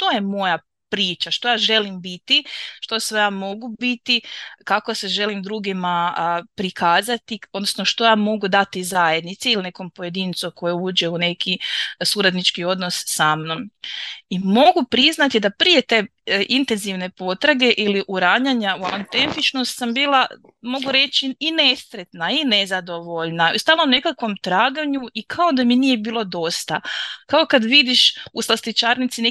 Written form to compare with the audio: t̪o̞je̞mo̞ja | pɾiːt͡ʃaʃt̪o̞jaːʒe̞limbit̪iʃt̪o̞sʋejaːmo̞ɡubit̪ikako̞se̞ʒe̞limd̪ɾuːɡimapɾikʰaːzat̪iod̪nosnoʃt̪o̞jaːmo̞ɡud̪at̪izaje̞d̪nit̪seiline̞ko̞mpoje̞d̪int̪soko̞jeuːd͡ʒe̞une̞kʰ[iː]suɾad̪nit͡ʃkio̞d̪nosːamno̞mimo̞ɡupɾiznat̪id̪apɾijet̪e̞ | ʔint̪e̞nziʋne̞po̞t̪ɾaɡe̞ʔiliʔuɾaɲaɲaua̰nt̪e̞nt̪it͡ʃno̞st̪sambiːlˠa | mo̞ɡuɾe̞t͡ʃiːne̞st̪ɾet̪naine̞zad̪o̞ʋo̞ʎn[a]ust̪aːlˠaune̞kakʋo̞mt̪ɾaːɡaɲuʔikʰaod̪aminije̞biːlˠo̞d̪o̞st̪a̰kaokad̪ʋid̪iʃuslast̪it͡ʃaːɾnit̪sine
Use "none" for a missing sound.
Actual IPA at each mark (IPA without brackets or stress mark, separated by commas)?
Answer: i, a